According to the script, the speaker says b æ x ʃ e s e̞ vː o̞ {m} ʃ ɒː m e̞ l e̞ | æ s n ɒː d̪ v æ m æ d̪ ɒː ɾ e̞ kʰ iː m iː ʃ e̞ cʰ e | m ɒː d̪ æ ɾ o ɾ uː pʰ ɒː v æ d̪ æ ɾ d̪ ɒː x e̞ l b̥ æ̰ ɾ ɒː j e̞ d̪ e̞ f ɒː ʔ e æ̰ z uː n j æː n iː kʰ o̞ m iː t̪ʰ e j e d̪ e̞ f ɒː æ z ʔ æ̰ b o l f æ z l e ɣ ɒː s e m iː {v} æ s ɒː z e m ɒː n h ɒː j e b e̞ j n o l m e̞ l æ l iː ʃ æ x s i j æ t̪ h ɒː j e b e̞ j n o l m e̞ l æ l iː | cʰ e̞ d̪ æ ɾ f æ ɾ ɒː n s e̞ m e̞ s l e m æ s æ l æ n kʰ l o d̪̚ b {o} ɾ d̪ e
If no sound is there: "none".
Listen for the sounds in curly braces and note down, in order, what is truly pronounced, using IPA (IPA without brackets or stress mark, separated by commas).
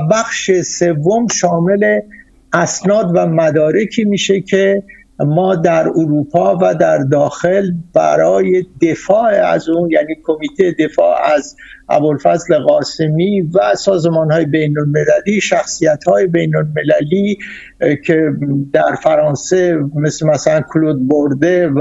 m, v, o